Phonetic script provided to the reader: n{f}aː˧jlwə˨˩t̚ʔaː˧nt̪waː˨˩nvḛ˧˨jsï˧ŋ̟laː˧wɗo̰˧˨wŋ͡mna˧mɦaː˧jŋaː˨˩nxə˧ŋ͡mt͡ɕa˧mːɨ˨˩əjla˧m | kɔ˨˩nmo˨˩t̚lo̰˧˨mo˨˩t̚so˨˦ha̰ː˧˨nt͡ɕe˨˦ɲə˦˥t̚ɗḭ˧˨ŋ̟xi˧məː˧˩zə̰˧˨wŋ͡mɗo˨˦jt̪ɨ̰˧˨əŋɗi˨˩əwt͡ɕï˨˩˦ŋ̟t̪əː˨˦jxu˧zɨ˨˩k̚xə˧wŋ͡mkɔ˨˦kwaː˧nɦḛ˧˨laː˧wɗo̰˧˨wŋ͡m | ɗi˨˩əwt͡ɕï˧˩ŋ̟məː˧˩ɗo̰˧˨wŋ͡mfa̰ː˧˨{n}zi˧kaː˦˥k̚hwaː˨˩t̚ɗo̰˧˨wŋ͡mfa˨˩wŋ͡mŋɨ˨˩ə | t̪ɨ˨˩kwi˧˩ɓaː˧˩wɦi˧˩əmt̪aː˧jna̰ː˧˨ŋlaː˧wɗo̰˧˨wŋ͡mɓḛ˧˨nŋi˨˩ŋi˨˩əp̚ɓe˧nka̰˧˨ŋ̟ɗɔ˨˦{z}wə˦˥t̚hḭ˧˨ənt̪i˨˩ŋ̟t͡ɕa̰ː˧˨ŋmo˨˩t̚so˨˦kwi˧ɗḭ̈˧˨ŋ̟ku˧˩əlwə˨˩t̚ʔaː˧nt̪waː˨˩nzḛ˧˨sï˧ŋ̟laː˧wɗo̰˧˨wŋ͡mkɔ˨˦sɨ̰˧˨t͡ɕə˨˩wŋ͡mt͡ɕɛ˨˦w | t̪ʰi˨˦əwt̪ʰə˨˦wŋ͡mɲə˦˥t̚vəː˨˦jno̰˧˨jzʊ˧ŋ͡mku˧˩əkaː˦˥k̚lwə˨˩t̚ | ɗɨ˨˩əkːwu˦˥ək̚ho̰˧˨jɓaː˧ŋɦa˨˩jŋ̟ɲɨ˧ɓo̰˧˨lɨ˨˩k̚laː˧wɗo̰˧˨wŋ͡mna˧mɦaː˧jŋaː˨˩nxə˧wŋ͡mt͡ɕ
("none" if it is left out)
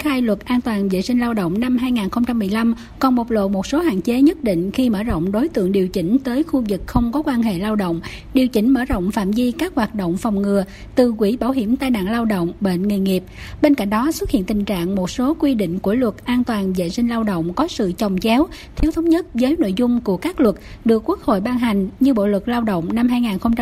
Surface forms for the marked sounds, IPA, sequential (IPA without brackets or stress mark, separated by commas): x, m, s